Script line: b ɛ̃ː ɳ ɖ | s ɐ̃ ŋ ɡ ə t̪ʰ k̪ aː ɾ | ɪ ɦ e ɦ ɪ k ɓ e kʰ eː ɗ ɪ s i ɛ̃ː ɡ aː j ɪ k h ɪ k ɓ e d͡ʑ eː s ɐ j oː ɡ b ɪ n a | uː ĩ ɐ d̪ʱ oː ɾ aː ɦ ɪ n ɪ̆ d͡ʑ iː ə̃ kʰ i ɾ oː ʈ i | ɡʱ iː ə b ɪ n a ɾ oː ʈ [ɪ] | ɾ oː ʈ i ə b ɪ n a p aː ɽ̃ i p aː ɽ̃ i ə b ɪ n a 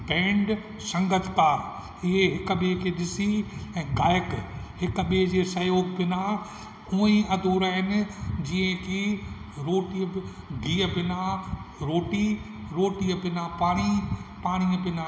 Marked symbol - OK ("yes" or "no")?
no